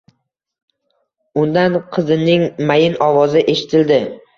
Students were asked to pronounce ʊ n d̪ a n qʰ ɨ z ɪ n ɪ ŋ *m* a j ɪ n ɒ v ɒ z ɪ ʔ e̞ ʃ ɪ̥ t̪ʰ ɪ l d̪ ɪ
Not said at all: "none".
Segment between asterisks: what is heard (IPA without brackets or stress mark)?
m